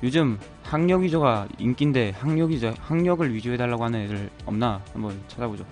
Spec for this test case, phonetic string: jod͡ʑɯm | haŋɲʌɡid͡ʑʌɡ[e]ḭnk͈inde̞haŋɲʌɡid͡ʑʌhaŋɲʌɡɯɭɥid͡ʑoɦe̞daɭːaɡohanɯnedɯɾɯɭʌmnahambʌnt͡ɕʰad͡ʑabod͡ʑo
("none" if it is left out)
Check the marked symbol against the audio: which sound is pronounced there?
a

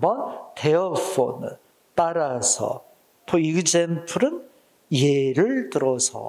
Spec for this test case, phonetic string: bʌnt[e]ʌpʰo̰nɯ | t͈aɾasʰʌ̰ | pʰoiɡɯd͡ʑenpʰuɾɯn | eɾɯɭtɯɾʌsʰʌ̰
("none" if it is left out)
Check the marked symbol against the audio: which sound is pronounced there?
e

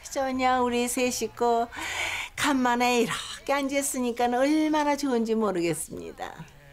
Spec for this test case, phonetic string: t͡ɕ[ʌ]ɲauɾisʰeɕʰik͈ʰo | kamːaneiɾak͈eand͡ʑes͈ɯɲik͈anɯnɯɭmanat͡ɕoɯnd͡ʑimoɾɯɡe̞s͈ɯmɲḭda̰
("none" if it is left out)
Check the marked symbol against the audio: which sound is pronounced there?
ʌ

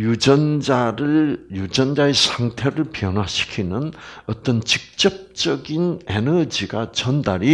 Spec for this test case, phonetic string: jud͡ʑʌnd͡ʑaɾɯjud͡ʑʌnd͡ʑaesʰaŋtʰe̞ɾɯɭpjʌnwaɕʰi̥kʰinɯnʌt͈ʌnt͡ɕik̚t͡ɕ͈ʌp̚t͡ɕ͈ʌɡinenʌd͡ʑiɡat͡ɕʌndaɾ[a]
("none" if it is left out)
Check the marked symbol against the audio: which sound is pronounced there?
i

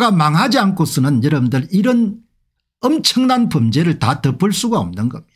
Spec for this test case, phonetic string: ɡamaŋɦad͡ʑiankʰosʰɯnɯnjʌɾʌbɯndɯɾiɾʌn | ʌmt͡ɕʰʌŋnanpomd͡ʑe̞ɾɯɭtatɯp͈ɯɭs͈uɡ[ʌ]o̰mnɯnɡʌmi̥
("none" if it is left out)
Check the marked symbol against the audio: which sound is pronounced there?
a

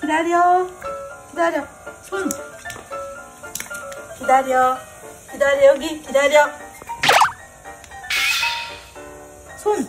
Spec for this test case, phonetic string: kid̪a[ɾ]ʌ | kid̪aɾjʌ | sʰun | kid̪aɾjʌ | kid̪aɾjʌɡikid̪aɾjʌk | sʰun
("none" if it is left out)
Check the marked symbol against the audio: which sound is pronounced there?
ɾ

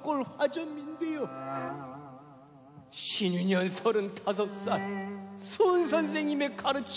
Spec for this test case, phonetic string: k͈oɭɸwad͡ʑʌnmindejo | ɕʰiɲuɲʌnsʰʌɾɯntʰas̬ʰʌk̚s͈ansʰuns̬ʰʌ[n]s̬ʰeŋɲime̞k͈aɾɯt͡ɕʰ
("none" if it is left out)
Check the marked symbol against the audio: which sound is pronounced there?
n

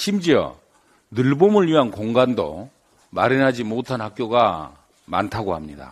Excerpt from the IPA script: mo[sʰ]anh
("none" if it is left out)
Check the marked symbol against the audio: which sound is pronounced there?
tʰ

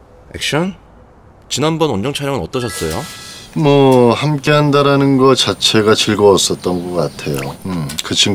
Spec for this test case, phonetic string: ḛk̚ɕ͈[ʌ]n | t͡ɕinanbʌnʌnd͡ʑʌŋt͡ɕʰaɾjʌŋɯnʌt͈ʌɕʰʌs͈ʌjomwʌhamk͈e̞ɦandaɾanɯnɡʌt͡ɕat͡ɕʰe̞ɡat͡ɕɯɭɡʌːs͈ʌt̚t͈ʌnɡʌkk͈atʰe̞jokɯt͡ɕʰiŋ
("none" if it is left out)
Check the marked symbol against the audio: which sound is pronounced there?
ʌ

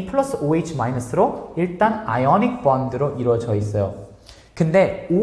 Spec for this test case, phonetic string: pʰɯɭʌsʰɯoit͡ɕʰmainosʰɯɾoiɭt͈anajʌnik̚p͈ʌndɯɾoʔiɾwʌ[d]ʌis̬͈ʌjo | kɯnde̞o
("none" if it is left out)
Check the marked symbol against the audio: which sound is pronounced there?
d͡ʑ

